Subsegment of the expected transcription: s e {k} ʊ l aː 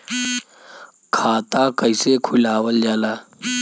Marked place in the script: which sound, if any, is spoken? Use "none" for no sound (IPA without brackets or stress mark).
kʰ